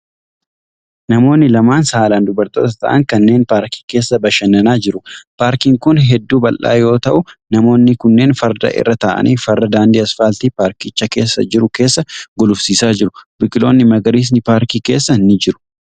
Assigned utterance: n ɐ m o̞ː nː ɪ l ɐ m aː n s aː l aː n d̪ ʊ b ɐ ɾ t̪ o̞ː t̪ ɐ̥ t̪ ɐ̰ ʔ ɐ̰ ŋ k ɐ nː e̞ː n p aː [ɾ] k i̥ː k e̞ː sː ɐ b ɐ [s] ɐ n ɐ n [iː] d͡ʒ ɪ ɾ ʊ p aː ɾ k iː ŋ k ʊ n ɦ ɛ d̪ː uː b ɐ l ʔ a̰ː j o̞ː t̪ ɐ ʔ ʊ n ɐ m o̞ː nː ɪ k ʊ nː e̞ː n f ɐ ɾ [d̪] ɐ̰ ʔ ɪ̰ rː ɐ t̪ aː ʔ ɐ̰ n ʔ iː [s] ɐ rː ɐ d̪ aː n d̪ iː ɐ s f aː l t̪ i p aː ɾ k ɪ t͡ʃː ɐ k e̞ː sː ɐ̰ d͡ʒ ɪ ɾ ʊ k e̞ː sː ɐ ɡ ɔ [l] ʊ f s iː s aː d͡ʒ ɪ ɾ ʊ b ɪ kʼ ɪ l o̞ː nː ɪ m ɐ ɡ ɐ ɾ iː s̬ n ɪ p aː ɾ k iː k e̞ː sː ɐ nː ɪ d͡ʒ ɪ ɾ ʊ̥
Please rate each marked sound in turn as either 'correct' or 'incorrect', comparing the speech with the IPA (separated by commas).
correct, incorrect, incorrect, correct, incorrect, correct